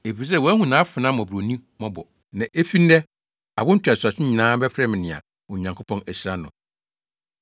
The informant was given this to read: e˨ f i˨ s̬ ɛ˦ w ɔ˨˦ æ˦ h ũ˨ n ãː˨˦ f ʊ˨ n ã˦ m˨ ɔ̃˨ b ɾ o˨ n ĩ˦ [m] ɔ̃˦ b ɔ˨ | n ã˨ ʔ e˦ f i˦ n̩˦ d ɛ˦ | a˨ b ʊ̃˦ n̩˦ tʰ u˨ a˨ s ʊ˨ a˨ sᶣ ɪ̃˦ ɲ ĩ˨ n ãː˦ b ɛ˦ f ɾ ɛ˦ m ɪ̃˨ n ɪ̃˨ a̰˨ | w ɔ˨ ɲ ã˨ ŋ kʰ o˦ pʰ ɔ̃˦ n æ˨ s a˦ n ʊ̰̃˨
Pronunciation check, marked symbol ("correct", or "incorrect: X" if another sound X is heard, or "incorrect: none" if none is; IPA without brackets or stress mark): correct